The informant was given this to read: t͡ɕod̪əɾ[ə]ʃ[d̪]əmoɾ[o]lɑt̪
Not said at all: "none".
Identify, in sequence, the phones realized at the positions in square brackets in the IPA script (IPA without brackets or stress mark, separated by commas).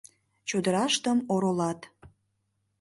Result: ɑ, t̪, o